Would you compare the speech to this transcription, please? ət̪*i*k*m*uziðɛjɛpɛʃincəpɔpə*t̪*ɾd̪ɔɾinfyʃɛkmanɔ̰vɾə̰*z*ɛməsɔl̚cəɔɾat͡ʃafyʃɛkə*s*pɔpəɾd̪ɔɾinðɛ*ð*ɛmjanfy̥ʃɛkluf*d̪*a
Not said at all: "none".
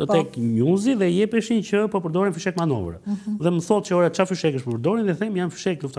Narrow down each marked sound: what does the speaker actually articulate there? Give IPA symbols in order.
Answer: ɛ, ɲ, none, ð, ʃ, θ, t̪

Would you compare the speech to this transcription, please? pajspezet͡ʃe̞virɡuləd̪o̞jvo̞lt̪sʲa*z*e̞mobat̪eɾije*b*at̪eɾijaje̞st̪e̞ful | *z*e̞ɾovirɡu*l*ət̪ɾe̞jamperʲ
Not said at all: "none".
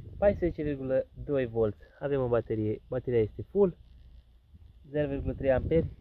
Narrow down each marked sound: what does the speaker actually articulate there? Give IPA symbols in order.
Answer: v, b, z, l

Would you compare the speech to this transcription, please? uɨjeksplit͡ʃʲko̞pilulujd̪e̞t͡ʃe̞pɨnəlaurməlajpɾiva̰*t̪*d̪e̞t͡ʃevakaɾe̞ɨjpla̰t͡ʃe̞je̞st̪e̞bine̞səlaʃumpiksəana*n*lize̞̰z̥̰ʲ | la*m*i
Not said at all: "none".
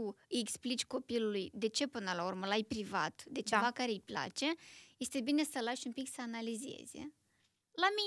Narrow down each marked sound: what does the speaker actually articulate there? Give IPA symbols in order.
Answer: t̪, none, m

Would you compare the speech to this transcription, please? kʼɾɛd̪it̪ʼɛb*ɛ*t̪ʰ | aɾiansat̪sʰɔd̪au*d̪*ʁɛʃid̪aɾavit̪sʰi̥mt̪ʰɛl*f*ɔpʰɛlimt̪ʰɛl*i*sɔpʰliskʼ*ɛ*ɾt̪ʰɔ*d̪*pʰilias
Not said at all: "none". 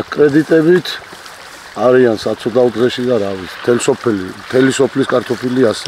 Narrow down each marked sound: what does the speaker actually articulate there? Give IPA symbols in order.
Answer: i, d̪, s, i, a, none

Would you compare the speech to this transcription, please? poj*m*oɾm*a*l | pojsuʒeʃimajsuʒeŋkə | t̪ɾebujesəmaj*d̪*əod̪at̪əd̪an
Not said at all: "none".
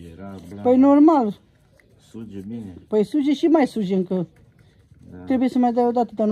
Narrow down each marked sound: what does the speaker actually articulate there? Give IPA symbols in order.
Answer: n, a, d̪

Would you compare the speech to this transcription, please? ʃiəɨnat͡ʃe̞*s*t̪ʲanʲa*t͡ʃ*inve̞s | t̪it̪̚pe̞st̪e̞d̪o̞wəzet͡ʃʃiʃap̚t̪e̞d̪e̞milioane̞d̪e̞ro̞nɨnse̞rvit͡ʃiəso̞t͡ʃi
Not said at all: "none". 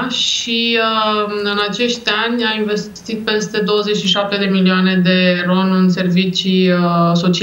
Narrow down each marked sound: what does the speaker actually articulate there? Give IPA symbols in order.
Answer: ʃ, none

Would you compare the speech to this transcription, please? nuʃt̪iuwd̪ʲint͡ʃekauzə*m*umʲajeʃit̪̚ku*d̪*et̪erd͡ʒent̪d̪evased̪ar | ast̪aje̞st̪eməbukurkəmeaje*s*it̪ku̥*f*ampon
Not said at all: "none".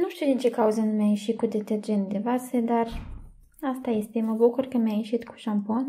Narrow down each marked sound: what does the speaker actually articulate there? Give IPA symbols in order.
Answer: n, d̪, ʃ, ʃ

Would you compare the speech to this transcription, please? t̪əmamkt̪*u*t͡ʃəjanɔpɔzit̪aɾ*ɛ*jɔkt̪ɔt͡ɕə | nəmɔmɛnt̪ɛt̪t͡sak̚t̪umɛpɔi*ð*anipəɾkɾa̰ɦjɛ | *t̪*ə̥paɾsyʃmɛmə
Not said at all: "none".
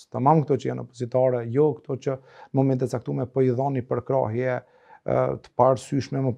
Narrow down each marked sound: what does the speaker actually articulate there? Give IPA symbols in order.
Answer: ɔ, ɛ, ð, t̪

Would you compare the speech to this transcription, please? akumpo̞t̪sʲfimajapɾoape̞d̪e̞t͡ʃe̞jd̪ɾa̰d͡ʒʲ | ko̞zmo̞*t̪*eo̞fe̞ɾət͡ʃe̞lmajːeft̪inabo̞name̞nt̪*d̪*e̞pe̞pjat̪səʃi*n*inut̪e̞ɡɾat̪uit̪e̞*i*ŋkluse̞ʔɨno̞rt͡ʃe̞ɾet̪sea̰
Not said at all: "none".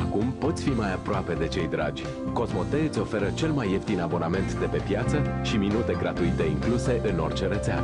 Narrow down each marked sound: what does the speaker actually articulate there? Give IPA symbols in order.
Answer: t̪, d̪, m, i

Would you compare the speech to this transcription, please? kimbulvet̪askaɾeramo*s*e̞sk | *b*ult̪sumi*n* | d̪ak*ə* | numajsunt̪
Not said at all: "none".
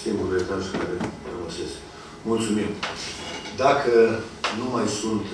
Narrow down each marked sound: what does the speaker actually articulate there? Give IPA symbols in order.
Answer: s, m, m, ə

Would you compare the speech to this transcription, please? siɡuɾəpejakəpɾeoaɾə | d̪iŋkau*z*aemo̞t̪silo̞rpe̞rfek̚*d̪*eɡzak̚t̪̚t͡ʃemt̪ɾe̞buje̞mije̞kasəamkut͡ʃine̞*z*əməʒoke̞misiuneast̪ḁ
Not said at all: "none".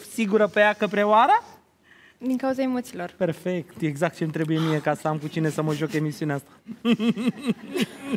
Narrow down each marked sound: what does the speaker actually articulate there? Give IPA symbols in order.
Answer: z, t̪, s

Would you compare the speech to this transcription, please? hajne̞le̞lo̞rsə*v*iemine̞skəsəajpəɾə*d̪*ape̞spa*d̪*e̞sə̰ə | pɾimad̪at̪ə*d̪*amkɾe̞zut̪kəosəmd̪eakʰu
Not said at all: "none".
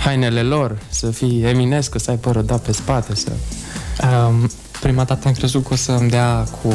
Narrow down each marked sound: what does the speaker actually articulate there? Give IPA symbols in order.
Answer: f, d̪, t̪, none

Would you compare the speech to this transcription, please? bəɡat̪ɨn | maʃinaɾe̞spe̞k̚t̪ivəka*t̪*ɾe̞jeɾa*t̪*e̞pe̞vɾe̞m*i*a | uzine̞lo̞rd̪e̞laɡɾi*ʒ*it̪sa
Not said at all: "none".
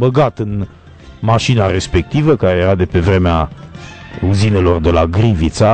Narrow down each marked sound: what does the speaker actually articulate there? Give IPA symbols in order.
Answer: none, d̪, e, v

